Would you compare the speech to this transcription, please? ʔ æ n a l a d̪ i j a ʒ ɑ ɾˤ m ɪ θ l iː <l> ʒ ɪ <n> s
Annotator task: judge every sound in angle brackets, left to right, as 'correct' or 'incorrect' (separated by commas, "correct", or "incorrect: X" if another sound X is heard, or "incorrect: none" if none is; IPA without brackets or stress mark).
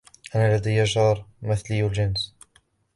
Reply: correct, correct